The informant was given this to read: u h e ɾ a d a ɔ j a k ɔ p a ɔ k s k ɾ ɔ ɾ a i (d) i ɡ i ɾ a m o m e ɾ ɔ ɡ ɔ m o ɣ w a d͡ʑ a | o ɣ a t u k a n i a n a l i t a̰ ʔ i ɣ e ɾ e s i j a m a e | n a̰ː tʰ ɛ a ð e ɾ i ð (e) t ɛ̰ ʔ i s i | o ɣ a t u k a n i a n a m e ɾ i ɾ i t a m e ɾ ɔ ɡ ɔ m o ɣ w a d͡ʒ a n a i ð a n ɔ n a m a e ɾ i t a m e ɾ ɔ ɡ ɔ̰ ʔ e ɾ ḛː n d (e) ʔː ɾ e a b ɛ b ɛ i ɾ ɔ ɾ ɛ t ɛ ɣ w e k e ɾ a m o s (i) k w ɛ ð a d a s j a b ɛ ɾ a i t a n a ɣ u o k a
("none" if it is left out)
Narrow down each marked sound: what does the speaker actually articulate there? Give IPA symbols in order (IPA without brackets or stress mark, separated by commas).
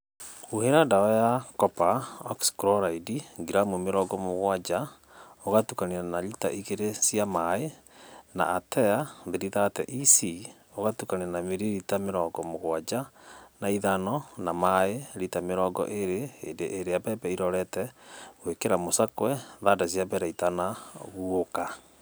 d, a, e, a